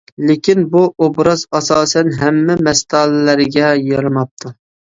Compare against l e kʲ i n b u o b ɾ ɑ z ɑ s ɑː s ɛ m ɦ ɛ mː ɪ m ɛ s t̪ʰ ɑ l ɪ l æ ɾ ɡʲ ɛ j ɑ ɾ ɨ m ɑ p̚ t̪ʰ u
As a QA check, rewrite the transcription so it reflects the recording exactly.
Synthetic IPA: l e kʲ i n b u o b ɾ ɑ z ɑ s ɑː s ɛ n ɦ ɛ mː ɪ m ɛ s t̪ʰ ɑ l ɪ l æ ɾ ɡʲ ɛ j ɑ ɾ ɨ m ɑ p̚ t̪ʰ u